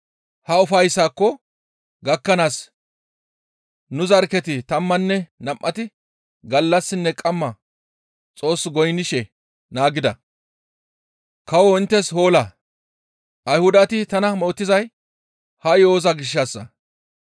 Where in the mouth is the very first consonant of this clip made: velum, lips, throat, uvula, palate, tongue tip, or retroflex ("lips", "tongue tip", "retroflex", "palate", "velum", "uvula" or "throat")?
throat